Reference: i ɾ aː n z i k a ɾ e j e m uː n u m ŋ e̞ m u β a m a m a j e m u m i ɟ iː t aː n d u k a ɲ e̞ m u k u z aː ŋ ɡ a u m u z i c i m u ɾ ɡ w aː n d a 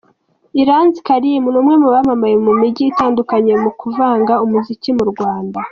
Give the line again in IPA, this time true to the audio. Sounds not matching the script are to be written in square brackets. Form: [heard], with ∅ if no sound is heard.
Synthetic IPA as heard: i ɾ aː n z i k a ɾ [i] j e m [u] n u m ŋ e̞ m u β a m a m a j e m u m i ɟ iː t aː n d u k a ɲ e̞ m u k u [v] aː ŋ ɡ a u m u z i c i m u ɾ ɡ w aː n d a